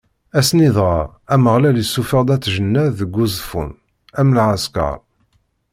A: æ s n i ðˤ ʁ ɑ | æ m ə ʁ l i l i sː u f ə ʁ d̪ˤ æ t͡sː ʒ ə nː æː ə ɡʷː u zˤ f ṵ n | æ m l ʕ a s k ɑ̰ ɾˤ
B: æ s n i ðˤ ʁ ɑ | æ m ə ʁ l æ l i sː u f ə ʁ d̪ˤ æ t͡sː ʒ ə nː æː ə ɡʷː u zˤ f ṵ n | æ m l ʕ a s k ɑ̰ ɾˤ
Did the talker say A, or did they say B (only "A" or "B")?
B